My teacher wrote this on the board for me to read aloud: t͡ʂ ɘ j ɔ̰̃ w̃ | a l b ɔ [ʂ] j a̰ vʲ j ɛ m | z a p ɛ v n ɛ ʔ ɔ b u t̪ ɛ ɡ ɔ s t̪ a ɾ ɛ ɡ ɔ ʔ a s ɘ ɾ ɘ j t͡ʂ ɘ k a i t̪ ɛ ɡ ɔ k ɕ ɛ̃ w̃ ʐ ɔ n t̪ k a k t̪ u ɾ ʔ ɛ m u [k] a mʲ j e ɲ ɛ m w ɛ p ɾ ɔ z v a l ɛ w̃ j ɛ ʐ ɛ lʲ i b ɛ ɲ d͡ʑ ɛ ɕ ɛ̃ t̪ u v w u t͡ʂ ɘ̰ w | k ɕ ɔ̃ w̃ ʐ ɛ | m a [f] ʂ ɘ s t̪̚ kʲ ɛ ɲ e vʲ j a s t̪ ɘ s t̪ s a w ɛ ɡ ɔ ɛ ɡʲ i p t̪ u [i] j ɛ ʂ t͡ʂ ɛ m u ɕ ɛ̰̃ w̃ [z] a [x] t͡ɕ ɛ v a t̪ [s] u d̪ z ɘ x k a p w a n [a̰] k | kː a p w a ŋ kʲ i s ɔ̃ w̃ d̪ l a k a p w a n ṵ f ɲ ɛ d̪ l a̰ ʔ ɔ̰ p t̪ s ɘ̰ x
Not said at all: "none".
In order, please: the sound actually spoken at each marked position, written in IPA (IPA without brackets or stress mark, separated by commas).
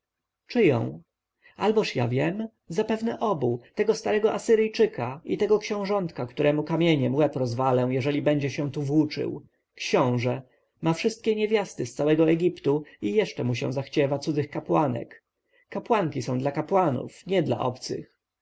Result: ʂ, k, f, i, z, x, s, ɛ̰